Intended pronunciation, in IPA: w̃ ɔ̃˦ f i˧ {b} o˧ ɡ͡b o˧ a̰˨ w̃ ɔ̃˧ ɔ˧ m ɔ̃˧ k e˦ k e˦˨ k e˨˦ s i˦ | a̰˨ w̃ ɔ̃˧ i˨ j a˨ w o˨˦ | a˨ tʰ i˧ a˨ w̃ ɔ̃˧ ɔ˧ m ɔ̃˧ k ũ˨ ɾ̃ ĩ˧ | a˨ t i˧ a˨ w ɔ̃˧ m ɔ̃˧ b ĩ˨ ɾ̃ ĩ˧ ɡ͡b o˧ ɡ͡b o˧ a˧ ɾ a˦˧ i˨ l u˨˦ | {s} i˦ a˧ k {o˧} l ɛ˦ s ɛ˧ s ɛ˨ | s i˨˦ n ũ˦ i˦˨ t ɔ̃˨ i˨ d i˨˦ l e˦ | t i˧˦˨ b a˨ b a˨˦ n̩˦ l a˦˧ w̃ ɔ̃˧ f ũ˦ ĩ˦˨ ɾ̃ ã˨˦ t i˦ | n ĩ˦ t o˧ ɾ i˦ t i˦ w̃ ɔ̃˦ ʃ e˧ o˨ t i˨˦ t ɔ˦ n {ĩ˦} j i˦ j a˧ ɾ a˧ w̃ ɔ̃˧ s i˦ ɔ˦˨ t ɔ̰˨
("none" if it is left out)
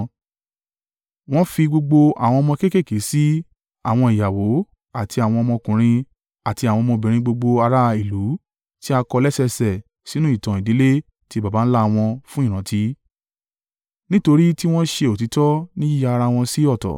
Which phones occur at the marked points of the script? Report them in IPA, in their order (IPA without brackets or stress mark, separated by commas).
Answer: ɡ͡b, t, ɔ˧, ĩ˦